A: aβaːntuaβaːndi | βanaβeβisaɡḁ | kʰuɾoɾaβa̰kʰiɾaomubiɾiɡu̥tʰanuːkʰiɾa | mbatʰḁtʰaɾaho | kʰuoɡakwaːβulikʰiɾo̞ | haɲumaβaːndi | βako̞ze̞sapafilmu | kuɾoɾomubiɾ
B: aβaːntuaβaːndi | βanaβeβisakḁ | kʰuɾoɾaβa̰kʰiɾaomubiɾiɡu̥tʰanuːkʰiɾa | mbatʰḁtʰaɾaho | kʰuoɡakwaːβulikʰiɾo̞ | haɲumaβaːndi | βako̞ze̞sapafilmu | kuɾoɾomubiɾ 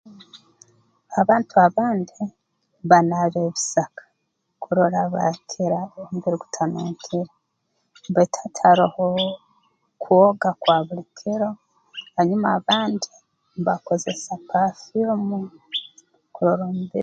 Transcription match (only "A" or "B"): B